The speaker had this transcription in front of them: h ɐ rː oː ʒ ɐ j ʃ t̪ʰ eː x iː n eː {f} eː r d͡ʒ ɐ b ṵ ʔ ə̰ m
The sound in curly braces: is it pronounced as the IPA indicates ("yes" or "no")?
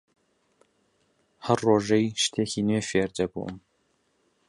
yes